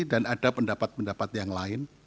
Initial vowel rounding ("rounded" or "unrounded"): unrounded